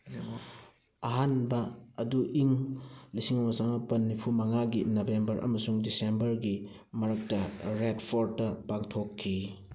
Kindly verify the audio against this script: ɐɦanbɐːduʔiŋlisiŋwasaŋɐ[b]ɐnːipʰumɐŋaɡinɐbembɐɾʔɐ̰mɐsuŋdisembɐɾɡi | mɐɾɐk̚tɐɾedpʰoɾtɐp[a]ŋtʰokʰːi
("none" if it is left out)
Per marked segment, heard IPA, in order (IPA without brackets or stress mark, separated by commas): p, a